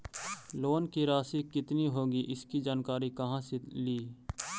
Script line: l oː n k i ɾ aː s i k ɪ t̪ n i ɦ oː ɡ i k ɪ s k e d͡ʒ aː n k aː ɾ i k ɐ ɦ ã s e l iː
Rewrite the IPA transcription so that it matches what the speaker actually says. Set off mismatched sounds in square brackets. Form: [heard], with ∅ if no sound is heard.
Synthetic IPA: l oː n k i ɾ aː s i k ɪ t̪ n i ɦ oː ɡ i [ʔ] ɪ s k [i] d͡ʒ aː n k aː ɾ i k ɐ ɦ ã s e l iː

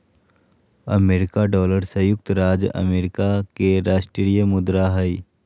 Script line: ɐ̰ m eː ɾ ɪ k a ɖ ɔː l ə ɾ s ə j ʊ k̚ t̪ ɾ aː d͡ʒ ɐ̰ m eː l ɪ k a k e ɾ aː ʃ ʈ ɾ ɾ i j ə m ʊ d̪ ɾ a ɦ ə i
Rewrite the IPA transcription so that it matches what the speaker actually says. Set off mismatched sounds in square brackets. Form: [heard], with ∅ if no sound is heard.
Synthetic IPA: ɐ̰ m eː ɾ ɪ k a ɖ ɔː l ə ɾ s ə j ʊ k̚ t̪ ɾ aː d͡ʒ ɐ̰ m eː [ɾ] ɪ k a k e ɾ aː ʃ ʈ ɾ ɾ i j ə m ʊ d̪ ɾ a ɦ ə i

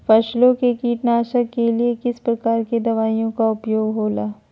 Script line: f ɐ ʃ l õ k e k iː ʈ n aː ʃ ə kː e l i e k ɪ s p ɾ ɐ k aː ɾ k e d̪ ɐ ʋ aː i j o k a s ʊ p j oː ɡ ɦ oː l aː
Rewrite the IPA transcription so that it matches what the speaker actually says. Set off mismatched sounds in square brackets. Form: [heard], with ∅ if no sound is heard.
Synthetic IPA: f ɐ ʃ l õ k e k iː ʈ n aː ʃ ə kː e l i e k ɪ s p ɾ ɐ k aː ɾ k e d̪ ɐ ʋ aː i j [õ] k a [∅] ʊ p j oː ɡ ɦ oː l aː

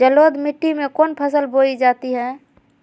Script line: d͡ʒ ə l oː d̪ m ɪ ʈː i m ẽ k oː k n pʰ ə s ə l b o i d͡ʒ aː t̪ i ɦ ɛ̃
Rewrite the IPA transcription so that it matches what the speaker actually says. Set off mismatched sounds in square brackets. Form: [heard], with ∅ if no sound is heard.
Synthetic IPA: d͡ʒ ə l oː d̪ m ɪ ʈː i m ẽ k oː [∅] n pʰ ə s ə l b o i d͡ʒ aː t̪ i ɦ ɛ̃

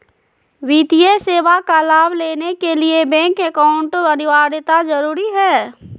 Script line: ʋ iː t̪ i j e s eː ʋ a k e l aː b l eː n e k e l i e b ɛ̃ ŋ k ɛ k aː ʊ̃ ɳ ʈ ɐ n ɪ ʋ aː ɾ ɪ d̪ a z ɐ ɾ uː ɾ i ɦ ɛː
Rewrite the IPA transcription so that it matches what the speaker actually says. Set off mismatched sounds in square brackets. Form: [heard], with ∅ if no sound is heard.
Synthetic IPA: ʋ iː t̪ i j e s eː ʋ a k [a] l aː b l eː n e k e l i e b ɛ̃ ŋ k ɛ k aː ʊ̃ ɳ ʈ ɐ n ɪ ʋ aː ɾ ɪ [t̪] a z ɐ ɾ uː ɾ i ɦ ɛː

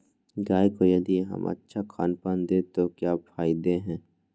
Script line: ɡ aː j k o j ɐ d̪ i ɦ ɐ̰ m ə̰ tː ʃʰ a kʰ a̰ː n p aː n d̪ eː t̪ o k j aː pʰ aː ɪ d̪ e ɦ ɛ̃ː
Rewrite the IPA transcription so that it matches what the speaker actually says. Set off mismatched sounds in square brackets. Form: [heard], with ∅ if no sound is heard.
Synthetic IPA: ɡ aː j k o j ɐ d̪ i ɦ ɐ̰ m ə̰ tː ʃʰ a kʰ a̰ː n p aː n d̪ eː t̪ o k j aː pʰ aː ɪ d̪ e ɦ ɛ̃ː

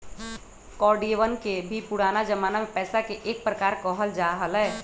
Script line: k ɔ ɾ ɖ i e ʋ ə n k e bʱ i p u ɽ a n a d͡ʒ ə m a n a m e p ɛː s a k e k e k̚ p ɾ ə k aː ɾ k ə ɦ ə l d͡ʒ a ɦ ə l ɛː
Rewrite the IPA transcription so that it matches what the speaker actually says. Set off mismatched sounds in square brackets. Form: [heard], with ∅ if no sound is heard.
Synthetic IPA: k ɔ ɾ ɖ i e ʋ ə n k e bʱ i p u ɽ a n a d͡ʒ ə m a n a m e p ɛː s a k e [ʔ] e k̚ p ɾ ə k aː ɾ k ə ɦ ə l d͡ʒ a ɦ ə l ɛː

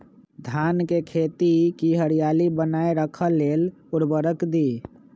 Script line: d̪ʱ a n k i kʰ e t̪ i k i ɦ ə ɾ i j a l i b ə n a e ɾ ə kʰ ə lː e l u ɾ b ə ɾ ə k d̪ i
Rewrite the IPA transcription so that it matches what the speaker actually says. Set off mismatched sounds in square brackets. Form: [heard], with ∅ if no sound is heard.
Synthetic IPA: d̪ʱ a n k [e] kʰ e t̪ i k i ɦ ə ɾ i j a l i b ə n a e ɾ ə kʰ ə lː e l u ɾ b ə ɾ ə k d̪ i

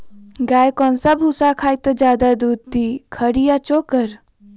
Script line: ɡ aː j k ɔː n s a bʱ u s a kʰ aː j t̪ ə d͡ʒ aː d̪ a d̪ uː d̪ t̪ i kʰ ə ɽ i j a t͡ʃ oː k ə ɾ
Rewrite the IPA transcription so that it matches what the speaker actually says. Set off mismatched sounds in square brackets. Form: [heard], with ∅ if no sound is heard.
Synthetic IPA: ɡ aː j k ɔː n s a bʱ u s a kʰ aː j t̪ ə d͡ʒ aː d̪ a d̪ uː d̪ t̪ i kʰ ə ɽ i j a t͡ʃ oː k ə ɾ

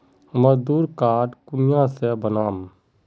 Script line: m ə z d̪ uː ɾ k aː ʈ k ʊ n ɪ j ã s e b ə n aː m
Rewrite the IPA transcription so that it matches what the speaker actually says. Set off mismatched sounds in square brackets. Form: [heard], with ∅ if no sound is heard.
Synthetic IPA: m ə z d̪ uː ɾ k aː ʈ k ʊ n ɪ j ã s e b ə n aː m

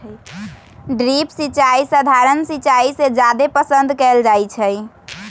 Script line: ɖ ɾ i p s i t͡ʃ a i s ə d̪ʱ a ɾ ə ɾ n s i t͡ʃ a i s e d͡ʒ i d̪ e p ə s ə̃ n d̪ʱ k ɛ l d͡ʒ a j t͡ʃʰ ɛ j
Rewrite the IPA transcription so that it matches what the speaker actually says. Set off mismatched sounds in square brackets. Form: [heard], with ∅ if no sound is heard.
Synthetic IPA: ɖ ɾ i p s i t͡ʃ a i s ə d̪ʱ a ɾ ə [∅] n s i t͡ʃ a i s e d͡ʒ [a] d̪ e p ə s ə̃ n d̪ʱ k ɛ l d͡ʒ a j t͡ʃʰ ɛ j

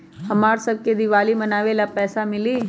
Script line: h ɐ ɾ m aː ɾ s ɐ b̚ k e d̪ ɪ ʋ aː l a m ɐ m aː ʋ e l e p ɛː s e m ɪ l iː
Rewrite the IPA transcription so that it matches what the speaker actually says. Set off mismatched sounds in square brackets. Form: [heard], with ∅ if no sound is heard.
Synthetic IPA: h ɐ [∅] m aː ɾ s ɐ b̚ k e d̪ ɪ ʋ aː l [i] m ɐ [n] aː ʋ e l [a] p ɛː s [a] m ɪ l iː

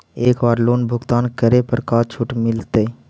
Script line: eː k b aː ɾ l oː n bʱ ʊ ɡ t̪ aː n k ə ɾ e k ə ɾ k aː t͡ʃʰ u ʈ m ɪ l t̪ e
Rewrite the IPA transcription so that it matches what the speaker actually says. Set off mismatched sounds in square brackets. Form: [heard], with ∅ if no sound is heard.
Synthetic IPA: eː k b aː ɾ l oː n bʱ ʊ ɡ t̪ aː n k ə ɾ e [p] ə ɾ k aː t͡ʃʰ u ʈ m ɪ l t̪ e

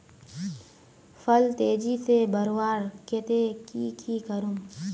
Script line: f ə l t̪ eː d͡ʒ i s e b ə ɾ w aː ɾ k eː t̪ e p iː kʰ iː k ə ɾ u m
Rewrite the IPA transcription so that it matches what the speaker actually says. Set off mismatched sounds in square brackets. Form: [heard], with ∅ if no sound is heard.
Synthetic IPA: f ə l t̪ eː d͡ʒ i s e b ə ɾ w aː ɾ k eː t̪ e [k] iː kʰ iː k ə ɾ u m

